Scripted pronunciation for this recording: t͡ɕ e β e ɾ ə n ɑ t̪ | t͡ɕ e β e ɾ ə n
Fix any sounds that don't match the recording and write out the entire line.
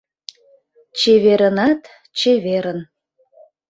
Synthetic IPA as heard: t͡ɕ e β e ɾ ə n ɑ t̪ | t͡ɕ e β e ɾ ə n